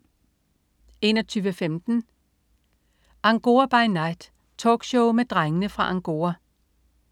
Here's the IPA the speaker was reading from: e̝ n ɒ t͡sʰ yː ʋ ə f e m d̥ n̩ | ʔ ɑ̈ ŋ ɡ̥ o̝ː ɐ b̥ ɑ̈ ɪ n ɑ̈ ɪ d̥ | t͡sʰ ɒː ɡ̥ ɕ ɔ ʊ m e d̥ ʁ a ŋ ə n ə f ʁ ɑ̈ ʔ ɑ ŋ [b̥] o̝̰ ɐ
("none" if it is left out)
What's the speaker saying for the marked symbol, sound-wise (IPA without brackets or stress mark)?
ɡ̥